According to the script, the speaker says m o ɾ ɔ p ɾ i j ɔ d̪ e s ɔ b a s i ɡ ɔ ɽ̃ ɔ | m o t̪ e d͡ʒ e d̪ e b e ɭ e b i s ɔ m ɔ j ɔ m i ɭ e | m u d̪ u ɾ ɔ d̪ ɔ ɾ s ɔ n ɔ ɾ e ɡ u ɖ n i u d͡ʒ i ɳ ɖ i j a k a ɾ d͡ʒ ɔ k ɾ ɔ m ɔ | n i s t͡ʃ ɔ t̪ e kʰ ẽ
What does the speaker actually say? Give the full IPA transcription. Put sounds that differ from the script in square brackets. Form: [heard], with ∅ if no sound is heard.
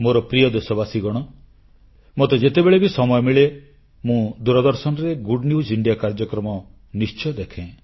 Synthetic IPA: m o ɾ ɔ p ɾ i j ɔ d̪ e s ɔ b a s i ɡ ɔ ɽ̃ ɔ | m o t̪ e d͡ʒ e [t̪] e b e ɭ e b i s ɔ m ɔ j ɔ m i ɭ e | m [ũ] d̪ u ɾ ɔ d̪ ɔ ɾ s ɔ n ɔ ɾ e ɡ u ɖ n i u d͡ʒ i ɳ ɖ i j a k a ɾ d͡ʒ ɔ k ɾ ɔ m ɔ | n i s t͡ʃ ɔ [d̪] e kʰ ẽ